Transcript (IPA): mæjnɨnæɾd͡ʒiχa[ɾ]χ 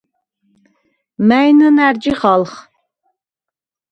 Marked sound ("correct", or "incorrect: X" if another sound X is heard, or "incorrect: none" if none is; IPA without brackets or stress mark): incorrect: l